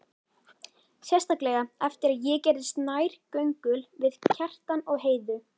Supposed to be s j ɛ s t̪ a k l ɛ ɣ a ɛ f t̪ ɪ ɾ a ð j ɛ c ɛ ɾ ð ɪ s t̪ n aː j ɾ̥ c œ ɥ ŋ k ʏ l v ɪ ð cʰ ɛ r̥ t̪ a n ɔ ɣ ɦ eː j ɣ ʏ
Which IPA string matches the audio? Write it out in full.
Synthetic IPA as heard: s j ɛ s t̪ a k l ɛ ɣ a ɛ f t̪ ɪ ɾ a ð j ɛ c ɛ ɾ ð ɪ s t̪ n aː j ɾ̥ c œ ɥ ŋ k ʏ l v ɪ ð cʰ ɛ r̥ t̪ a n ɔ ɣ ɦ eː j ð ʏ